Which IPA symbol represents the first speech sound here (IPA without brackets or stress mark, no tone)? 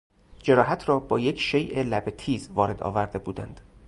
d͡ʒ